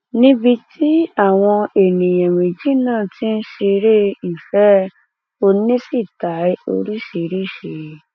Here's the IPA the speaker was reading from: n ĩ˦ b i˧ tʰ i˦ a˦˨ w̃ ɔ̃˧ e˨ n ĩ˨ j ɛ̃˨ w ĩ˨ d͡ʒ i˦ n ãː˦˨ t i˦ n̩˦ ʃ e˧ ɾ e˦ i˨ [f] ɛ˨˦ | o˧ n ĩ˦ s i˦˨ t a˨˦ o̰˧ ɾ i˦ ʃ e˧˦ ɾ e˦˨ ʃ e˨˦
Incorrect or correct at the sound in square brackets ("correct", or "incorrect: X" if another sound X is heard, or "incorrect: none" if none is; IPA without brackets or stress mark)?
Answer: correct